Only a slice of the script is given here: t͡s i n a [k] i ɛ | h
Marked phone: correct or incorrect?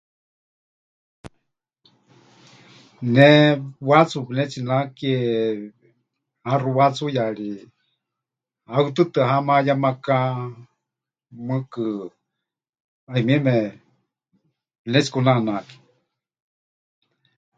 correct